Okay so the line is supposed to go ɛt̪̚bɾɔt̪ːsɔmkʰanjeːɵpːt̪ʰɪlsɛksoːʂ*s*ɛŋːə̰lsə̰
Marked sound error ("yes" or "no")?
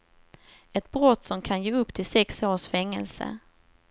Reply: yes